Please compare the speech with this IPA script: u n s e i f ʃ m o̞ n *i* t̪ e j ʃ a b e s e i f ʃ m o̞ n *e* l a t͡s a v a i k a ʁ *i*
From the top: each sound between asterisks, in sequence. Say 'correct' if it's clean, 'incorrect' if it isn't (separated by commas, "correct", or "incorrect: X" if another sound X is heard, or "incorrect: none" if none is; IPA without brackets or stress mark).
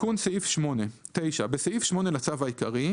incorrect: e, correct, correct